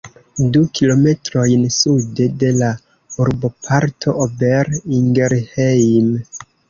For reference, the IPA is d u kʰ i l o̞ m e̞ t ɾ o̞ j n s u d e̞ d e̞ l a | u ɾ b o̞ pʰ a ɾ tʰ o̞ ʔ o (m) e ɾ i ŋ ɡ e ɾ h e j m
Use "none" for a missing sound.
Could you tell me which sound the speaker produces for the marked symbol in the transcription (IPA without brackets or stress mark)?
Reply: b